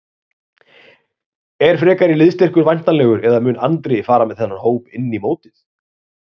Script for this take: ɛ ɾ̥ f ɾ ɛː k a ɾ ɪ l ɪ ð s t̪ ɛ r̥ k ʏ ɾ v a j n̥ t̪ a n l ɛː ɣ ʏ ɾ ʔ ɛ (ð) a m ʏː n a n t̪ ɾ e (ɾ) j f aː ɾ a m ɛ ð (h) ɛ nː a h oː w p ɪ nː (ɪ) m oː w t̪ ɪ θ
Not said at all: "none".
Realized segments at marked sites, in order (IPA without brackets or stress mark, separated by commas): ð, none, θ, i